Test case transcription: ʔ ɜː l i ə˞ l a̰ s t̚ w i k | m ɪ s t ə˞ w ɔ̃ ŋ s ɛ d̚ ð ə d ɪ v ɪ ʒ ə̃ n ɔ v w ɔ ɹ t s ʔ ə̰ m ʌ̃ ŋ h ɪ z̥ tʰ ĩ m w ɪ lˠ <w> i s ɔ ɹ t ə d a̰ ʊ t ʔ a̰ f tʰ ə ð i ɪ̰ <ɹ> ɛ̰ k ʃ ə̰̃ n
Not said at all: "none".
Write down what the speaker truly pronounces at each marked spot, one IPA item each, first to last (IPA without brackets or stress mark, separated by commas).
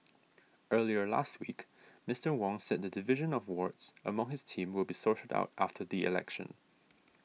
b, l